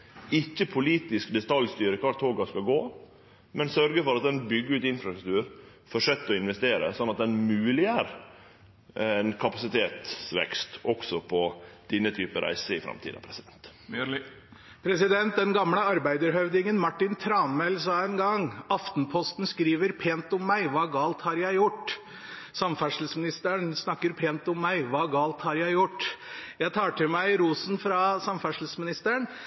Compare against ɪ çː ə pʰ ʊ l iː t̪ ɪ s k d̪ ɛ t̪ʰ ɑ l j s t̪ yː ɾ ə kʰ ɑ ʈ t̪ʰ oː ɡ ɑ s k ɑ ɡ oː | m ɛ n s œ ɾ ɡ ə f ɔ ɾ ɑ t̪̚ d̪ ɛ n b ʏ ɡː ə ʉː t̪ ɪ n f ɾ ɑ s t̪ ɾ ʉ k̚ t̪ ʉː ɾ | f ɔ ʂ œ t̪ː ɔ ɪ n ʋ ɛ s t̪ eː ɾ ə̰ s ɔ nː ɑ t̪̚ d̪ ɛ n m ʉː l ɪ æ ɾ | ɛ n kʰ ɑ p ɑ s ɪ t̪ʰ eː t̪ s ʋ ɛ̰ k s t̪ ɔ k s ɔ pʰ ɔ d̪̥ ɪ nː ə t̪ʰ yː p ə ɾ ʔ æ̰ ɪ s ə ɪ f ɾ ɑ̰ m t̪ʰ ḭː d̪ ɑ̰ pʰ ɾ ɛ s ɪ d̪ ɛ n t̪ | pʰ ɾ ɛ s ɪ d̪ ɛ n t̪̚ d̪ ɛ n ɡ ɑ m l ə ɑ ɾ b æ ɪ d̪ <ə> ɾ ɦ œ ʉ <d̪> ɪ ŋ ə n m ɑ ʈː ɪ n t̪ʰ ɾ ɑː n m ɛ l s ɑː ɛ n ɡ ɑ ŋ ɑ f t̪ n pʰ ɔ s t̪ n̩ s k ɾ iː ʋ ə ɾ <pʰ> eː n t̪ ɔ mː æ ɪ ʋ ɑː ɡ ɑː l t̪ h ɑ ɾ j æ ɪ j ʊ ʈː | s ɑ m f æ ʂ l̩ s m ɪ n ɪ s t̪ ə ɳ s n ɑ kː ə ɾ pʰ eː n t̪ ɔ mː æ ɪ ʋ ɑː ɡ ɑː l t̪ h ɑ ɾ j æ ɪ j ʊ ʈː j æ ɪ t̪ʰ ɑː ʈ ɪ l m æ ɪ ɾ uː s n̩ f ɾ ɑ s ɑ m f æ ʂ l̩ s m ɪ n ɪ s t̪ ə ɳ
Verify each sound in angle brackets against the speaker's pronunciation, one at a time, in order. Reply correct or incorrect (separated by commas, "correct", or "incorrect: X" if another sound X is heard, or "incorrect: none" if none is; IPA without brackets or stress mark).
correct, correct, correct